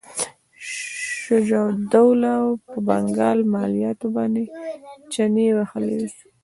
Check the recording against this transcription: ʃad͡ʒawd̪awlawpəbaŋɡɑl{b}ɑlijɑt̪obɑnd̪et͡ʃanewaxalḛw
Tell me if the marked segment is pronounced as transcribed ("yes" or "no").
no